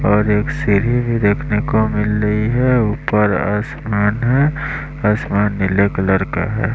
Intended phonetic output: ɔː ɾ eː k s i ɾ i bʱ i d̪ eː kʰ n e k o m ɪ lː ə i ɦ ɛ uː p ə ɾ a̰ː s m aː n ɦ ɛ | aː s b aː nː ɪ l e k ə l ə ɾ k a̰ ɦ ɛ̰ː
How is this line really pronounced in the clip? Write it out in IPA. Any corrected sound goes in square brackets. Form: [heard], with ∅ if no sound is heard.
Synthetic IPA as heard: ɔː ɾ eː k s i ɾ i bʱ i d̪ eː kʰ n e k o m ɪ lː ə i ɦ ɛ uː p ə ɾ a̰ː s m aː n ɦ ɛ | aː s [m] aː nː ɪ l e k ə l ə ɾ k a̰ ɦ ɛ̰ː

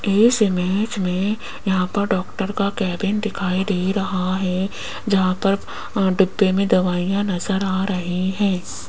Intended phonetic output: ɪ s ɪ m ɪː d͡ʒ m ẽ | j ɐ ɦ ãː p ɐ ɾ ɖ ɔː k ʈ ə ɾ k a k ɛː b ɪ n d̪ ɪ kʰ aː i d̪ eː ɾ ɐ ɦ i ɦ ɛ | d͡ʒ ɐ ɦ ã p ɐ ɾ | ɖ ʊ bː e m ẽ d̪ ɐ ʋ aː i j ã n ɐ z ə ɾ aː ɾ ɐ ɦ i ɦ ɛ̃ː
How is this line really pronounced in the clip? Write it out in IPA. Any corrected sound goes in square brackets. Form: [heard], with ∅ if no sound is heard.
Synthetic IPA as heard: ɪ s ɪ m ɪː d͡ʒ m ẽ | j ɐ ɦ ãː p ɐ ɾ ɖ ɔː k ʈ ə ɾ k a k ɛː b ɪ n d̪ ɪ kʰ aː i d̪ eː ɾ ɐ ɦ [a] ɦ ɛ | d͡ʒ ɐ ɦ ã p ɐ ɾ | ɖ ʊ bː e m ẽ d̪ ɐ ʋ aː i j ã n ɐ z ə ɾ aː ɾ ɐ ɦ i ɦ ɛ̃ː

